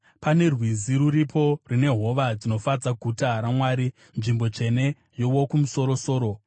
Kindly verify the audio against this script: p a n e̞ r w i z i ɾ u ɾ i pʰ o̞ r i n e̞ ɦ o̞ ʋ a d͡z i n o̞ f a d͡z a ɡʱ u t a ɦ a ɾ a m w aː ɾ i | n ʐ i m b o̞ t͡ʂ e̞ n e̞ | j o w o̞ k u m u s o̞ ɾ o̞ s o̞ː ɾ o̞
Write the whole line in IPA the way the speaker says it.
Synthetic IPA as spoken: p a n e̞ r w i z i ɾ u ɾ i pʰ o̞ r i n e̞ ɦ o̞ ʋ a d͡z i n o̞ f a d͡z a ɡʱ u t a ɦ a ɾ a m w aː ɾ i | n ʐ i m b o̞ t͡ʂ e̞ n e̞ | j o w o̞ k u m u s o̞ ɾ o̞ s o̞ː ɾ o̞